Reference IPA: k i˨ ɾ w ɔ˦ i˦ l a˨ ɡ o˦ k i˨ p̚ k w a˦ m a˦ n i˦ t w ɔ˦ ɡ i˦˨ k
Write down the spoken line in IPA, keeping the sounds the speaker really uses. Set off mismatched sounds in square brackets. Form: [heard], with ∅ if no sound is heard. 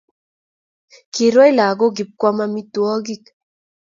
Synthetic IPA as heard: k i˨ ɾ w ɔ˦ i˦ l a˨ ɡ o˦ [ɡ] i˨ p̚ k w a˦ m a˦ [m] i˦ t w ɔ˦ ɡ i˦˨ k